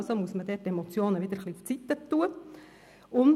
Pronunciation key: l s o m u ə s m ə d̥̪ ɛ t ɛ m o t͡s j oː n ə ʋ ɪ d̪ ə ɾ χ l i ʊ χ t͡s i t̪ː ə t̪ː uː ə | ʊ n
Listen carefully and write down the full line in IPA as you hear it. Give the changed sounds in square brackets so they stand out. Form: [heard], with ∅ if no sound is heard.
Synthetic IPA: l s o m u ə s m ə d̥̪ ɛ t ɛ m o t͡s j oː n ə ʋ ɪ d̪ ə ɾ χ l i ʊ [f] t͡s i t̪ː ə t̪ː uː ə | ʊ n